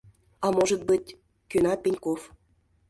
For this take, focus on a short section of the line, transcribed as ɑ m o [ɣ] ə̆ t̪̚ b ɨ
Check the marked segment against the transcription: incorrect: ʒ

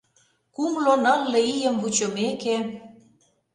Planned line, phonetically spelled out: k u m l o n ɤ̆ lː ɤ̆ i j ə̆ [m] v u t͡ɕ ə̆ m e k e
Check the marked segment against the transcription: correct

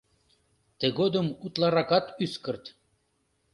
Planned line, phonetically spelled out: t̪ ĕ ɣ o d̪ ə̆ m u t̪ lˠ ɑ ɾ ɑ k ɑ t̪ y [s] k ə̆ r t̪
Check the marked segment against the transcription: correct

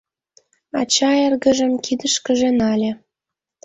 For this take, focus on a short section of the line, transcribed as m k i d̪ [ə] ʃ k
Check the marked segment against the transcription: correct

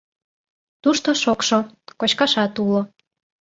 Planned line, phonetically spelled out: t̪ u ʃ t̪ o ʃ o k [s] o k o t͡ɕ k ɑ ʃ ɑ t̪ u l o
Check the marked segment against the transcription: incorrect: ʃ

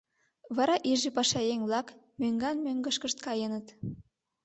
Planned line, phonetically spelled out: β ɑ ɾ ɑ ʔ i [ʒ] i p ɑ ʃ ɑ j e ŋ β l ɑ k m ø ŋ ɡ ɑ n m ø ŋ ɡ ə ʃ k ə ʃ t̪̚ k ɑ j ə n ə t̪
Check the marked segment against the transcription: correct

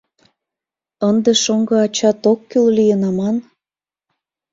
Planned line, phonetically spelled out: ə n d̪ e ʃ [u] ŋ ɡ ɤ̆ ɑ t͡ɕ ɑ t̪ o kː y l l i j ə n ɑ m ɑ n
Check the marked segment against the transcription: incorrect: o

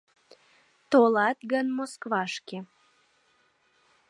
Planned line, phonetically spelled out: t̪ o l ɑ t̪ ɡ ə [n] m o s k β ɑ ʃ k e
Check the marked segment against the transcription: correct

